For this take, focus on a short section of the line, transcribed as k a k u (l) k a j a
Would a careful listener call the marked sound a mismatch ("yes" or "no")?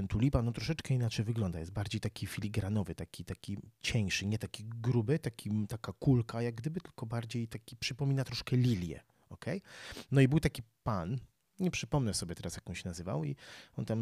no